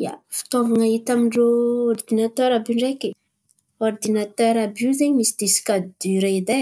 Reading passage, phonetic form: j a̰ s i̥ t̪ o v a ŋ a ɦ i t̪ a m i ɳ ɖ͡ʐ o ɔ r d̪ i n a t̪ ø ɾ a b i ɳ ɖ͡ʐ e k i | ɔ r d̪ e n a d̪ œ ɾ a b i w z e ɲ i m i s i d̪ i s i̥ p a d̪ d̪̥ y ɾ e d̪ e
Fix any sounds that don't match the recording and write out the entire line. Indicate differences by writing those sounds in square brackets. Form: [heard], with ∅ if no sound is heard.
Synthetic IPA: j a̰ [f] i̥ t̪ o v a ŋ a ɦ i t̪ a m i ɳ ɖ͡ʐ o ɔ r d̪ i n a t̪ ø ɾ a b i ɳ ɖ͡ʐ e k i | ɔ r d̪ [i] n a [t̪] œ ɾ a b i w z e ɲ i m i s i d̪ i s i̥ [k] a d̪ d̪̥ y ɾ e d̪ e